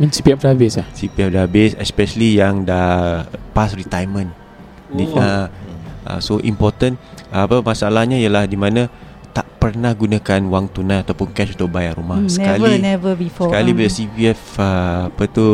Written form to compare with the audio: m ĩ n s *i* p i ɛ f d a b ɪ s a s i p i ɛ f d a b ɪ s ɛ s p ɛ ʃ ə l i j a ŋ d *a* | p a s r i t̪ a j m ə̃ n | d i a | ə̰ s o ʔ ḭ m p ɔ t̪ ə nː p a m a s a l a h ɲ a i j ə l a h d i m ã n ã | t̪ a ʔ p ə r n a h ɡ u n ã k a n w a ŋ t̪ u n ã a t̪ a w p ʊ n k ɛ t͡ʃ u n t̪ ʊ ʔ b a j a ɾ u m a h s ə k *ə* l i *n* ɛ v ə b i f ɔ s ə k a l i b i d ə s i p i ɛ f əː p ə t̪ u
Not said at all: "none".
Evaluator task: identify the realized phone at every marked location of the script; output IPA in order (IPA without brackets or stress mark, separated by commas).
i, a, a, n